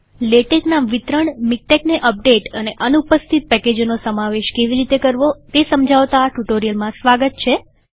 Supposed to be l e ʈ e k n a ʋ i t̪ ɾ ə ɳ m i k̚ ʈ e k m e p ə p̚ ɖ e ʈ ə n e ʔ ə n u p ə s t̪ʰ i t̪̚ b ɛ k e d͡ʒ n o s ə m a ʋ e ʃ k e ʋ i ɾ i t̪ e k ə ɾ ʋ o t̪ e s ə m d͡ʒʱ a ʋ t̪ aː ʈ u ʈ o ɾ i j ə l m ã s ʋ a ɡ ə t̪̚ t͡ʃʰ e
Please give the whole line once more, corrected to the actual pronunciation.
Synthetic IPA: l e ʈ e k n a ʋ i t̪ ɾ ə ɳ m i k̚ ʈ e k n e ʔ ə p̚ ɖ e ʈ ə n e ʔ ə n u p ə s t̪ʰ i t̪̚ p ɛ k e d͡ʒ n o s ə m a ʋ e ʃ k e ʋ i ɾ i t̪ e k ə ɾ ʋ o t̪ e s ə m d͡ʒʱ a ʋ t̪ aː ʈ u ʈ o ɾ i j ə l m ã s ʋ a ɡ ə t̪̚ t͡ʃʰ e